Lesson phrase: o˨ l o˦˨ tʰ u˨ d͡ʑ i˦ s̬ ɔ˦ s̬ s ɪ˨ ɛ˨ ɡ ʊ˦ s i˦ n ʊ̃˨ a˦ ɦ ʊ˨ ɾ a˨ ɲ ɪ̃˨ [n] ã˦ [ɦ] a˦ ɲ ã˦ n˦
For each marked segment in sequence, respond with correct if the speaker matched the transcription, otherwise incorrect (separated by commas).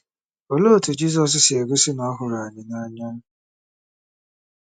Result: correct, incorrect